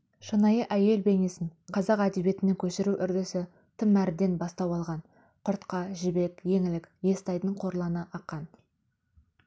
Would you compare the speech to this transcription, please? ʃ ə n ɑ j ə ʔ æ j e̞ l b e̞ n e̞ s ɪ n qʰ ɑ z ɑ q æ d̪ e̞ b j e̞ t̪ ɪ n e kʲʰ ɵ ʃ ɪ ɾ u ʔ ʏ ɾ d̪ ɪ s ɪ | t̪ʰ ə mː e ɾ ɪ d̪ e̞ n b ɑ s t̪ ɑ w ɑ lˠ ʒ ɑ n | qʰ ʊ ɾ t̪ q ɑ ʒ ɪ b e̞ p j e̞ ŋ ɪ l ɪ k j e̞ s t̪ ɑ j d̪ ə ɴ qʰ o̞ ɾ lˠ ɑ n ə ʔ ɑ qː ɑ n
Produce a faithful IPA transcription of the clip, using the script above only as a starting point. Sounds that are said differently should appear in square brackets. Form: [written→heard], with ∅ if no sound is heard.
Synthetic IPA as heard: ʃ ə n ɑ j ə ʔ æ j e̞ l b e̞ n e̞ s ɪ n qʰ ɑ z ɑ q æ d̪ e̞ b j e̞ t̪ ɪ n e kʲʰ ɵ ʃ ɪ ɾ u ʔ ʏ ɾ d̪ ɪ s ɪ | t̪ʰ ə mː [e→æ] ɾ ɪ d̪ e̞ n b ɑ s t̪ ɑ w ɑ lˠ [ʒ→ʁ] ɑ n | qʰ ʊ ɾ t̪ q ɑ ʒ ɪ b e̞ [p→k] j e̞ ŋ ɪ l ɪ k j e̞ s t̪ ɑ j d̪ ə ɴ qʰ o̞ ɾ lˠ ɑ n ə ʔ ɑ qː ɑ n

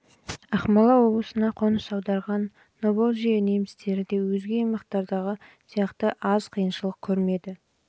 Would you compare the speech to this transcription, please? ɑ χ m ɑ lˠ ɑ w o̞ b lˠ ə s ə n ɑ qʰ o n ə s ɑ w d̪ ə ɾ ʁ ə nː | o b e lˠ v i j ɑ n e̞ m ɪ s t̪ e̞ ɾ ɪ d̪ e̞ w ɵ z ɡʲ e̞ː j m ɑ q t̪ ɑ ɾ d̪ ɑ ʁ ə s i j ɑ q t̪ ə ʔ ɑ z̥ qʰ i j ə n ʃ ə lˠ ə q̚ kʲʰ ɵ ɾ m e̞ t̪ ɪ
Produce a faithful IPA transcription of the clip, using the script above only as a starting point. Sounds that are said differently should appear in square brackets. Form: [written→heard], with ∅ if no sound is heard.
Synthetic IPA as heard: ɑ χ m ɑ lˠ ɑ w o̞ b lˠ ə s ə n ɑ qʰ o n ə s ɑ w d̪ [ə→ɑ] ɾ ʁ [ə→ɑ] nː | o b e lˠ [v→ʒ] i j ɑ n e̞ m ɪ s t̪ e̞ ɾ ɪ d̪ e̞ w ɵ z ɡʲ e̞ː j m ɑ q t̪ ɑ ɾ d̪ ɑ ʁ ə s i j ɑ q t̪ ə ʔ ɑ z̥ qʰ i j ə n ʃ ə lˠ ə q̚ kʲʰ ɵ ɾ m e̞ [t̪→d̪] ɪ

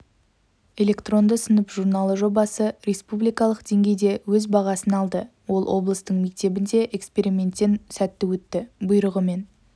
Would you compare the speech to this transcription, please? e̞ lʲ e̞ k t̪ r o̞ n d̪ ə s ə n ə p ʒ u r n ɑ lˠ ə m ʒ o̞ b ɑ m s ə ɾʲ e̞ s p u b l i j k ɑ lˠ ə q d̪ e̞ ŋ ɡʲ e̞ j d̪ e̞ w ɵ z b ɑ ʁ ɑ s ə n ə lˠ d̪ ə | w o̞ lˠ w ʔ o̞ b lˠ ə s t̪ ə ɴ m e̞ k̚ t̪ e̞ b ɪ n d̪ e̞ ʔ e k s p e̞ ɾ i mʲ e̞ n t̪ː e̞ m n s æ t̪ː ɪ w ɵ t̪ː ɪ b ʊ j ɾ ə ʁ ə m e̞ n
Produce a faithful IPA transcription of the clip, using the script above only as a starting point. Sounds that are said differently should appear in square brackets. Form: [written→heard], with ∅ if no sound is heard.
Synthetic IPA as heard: e̞ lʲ e̞ k t̪ r o̞ n d̪ ə s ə n ə p ʒ u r n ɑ lˠ ə [m→∅] ʒ o̞ b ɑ [m→∅] s ə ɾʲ e̞ s p u b l i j k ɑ lˠ ə q d̪ e̞ ŋ ɡʲ e̞ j d̪ e̞ w ɵ z b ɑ ʁ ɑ s ə n [ə→ɑ] lˠ d̪ ə | w o̞ lˠ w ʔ o̞ b lˠ ə s t̪ ə ɴ m e̞ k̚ t̪ e̞ b ɪ n d̪ e̞ ʔ e k s p e̞ ɾ i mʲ e̞ n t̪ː e̞ [m→∅] n s æ t̪ː ɪ w ɵ t̪ː ɪ b ʊ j ɾ ə ʁ ə m e̞ n

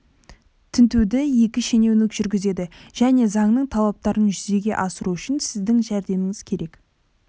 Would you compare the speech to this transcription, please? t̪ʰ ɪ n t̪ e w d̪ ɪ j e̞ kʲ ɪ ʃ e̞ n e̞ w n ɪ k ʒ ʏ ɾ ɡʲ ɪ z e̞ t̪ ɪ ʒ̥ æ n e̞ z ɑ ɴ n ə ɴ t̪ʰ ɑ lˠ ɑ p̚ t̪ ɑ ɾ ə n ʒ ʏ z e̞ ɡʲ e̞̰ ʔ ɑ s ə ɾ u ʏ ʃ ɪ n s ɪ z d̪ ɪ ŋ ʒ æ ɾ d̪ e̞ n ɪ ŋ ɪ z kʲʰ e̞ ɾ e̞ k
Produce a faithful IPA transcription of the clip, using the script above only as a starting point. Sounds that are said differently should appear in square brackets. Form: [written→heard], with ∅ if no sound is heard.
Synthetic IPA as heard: t̪ʰ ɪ n t̪ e w d̪ ɪ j e̞ kʲ ɪ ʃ e̞ n e̞ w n ɪ k ʒ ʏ ɾ ɡʲ ɪ z e̞ [t̪→d̪] ɪ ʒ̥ æ n e̞ z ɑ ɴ n ə ɴ t̪ʰ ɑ lˠ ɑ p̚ t̪ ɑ ɾ ə n ʒ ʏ z e̞ ɡʲ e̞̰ ʔ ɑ s ə ɾ u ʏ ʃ ɪ n s ɪ z d̪ ɪ ŋ ʒ æ ɾ d̪ e̞ [n→m] ɪ ŋ ɪ z kʲʰ e̞ ɾ e̞ k

